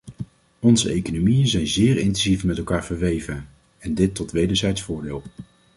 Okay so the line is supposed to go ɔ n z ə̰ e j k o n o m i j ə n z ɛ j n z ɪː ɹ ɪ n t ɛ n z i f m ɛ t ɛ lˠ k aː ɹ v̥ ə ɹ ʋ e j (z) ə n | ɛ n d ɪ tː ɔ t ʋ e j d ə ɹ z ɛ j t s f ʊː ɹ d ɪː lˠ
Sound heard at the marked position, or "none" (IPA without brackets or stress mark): v